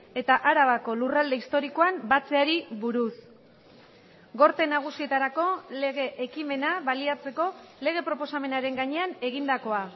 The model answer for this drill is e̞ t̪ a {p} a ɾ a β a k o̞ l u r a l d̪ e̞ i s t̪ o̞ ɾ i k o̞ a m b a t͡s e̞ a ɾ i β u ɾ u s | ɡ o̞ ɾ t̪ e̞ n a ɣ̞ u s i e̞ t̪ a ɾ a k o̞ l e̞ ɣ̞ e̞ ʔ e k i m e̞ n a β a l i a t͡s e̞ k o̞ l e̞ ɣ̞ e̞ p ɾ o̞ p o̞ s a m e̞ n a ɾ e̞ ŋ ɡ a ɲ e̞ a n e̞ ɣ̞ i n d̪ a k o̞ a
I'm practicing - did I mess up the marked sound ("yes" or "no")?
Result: yes